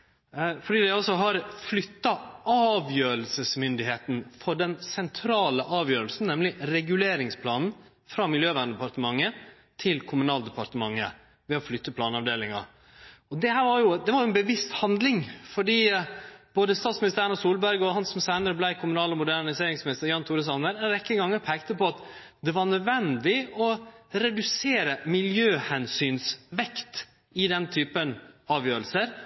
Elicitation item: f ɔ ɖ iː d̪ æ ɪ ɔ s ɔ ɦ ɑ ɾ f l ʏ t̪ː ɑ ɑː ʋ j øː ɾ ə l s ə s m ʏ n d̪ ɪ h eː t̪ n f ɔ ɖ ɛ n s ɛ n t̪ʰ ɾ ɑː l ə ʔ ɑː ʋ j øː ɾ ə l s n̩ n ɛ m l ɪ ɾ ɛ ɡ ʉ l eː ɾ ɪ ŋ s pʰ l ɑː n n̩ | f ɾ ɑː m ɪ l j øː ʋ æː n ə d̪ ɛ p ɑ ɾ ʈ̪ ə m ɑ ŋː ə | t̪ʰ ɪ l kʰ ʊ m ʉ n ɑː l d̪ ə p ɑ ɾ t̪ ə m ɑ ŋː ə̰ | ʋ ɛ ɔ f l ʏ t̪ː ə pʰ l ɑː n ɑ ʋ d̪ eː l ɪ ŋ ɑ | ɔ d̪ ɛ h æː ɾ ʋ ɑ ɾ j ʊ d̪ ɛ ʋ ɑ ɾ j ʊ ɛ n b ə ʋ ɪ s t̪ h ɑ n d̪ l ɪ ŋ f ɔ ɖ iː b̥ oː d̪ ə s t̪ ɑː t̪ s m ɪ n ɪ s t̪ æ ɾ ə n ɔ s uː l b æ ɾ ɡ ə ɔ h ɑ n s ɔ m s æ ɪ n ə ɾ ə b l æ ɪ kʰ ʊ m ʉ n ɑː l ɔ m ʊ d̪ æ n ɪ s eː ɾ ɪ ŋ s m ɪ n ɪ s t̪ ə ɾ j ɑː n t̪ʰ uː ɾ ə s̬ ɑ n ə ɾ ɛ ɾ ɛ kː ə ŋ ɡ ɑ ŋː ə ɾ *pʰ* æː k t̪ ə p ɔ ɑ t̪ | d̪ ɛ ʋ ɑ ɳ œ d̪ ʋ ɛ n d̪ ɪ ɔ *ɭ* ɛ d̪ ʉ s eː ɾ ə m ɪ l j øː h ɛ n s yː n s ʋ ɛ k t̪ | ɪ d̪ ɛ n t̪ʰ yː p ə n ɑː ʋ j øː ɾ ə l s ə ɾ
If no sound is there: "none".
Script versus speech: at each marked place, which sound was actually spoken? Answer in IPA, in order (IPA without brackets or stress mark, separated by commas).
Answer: pʰ, ɾ